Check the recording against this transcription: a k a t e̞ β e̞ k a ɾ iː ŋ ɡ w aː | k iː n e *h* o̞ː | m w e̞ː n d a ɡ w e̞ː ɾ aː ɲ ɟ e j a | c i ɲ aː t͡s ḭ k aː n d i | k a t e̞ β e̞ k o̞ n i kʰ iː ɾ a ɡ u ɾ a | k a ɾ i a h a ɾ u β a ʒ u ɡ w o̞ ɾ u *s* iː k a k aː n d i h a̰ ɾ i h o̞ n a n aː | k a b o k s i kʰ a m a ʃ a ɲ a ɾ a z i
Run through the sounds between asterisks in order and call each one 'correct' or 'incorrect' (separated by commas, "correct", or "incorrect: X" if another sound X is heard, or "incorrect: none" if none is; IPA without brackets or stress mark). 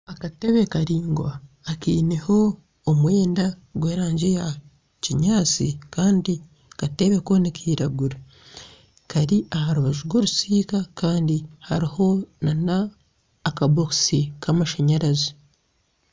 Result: correct, correct